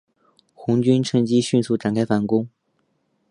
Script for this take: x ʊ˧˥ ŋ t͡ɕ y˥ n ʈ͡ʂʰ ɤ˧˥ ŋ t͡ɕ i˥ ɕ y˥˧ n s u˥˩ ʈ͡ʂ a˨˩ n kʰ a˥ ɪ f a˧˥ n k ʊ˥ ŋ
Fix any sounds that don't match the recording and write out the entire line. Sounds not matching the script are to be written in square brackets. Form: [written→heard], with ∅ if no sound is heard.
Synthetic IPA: x ʊ˧˥ ŋ t͡ɕ y˥ n ʈ͡ʂʰ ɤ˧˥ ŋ t͡ɕ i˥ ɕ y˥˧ n s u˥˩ ʈ͡ʂ a˨˩ n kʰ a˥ ɪ f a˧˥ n k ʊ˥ ŋ